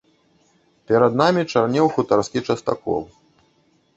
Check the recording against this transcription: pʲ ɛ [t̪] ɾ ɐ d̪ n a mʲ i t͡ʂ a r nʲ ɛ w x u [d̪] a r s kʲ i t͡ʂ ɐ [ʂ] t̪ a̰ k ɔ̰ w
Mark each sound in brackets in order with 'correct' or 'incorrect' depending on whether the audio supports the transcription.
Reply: incorrect, incorrect, incorrect

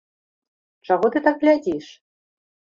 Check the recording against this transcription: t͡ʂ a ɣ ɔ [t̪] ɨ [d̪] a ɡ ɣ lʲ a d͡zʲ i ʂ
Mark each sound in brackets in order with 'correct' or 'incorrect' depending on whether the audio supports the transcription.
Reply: correct, incorrect

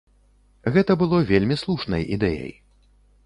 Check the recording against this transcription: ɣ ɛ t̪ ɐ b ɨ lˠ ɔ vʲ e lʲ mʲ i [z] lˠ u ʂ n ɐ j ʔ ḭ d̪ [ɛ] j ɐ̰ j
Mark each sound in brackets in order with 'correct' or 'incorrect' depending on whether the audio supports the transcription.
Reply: incorrect, correct

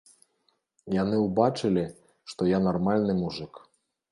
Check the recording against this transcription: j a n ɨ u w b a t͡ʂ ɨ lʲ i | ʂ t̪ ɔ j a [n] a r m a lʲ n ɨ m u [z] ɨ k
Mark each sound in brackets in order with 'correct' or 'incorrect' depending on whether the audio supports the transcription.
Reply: correct, incorrect

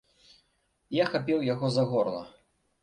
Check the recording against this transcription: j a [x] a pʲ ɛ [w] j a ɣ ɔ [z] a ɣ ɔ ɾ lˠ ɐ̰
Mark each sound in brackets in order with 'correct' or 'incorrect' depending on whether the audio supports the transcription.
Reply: correct, correct, correct

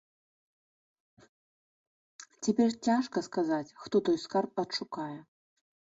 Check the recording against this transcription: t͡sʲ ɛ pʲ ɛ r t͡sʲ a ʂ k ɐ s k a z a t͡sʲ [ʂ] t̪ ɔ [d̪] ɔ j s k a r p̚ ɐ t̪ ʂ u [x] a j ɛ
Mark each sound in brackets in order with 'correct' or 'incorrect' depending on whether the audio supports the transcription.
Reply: incorrect, incorrect, incorrect

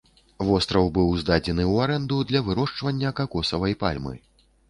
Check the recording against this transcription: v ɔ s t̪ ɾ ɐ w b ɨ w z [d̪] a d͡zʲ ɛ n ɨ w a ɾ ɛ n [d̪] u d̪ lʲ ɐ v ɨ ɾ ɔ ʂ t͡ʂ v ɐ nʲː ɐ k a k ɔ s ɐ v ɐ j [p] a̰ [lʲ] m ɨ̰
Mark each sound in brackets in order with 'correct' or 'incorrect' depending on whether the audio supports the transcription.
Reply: correct, correct, correct, correct

